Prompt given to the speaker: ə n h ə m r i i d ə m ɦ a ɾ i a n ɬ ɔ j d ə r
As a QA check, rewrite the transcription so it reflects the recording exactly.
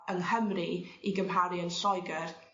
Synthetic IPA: ə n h ə m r i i ɡ ə m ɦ a ɾ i ə n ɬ ɔ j ɡ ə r